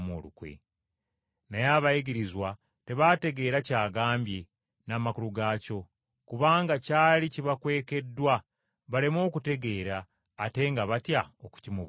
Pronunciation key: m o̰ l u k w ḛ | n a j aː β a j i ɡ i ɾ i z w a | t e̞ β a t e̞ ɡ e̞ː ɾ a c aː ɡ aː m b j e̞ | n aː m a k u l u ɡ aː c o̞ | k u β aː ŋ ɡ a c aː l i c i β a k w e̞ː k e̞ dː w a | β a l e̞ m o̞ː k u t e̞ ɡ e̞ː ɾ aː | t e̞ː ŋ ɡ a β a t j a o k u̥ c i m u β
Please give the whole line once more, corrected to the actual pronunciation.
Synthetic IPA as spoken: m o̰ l u k w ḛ | n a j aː β a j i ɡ i ɾ i z w a | t e̞ β a t e̞ ɡ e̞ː ɾ a c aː ɡ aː m b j e̞ | n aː m a k u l u ɡ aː c o̞ | k u β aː ŋ ɡ a c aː l i c i β a k w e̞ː k e̞ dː w a | β a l e̞ m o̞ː k u t e̞ ɡ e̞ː ɾ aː | t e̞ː ŋ ɡ a β a t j a o k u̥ c i m u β